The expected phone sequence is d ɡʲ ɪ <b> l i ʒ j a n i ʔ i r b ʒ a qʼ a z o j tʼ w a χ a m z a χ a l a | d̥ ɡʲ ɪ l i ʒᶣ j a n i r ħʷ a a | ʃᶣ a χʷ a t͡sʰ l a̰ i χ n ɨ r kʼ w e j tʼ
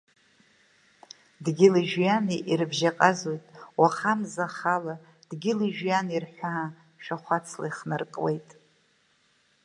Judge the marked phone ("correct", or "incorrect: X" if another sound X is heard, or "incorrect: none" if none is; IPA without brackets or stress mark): incorrect: none